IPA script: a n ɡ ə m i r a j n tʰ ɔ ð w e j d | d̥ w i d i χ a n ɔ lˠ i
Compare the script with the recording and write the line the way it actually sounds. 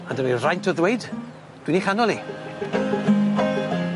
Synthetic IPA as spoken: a n d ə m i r a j n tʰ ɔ ð w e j d | d̥ w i n i χ a n ɔ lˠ i